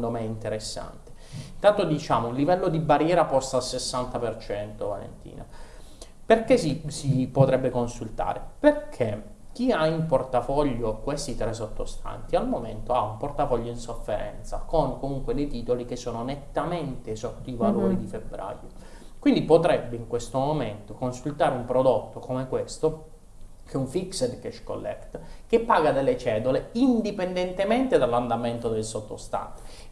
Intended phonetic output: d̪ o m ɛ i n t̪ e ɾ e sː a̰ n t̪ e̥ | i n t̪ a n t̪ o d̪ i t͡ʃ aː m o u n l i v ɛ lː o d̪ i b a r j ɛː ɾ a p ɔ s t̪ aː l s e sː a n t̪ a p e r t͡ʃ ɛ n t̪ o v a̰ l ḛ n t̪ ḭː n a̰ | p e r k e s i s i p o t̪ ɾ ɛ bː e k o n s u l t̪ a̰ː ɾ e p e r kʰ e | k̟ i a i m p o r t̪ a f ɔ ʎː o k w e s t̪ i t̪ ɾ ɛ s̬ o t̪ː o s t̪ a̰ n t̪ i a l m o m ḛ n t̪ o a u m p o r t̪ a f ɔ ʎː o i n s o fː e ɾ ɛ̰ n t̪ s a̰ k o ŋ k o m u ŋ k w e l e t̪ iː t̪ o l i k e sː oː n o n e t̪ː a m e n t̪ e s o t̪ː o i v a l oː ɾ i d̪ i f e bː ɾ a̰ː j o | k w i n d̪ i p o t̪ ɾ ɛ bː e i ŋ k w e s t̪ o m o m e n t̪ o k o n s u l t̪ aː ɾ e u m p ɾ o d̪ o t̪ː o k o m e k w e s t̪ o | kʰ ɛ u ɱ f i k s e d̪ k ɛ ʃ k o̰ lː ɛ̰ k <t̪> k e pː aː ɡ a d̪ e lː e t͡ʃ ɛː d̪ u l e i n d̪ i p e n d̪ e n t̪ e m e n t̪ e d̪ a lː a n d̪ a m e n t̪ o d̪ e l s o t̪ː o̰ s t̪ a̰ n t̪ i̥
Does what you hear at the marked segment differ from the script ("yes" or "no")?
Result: no